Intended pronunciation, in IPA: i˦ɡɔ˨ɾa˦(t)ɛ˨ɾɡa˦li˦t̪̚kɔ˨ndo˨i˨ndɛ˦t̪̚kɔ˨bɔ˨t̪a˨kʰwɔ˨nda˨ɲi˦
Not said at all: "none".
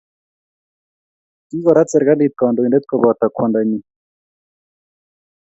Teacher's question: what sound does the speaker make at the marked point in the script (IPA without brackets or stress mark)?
t͡s